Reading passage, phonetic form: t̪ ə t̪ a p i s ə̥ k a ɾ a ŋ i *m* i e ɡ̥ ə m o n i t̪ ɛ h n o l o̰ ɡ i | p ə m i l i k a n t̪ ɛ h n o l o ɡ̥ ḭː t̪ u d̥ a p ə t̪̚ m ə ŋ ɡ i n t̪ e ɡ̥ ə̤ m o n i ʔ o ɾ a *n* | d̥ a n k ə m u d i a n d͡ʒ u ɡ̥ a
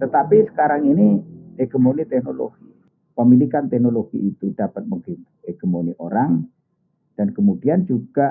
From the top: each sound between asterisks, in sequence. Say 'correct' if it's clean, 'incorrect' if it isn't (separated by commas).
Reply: incorrect, incorrect